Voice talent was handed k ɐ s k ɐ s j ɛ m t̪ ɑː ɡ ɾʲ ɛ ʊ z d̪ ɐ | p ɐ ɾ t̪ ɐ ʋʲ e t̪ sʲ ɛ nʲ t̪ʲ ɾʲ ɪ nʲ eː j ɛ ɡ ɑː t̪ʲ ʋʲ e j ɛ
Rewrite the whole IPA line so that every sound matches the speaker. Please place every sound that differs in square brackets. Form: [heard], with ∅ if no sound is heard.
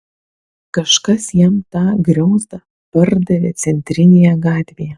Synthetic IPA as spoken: k ɐ [ʃ] k ɐ s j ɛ m t̪ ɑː ɡ ɾʲ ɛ ʊ z d̪ ɐ | p ɐ ɾ [d̪] ɐ ʋʲ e t̪ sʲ ɛ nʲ t̪ʲ ɾʲ ɪ nʲ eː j ɛ ɡ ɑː t̪ʲ ʋʲ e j ɛ